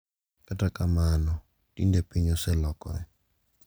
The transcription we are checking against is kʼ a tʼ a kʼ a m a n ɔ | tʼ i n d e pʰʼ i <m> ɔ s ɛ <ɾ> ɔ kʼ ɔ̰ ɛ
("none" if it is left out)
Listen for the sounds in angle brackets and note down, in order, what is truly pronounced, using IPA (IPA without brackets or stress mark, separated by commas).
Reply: ɲ, l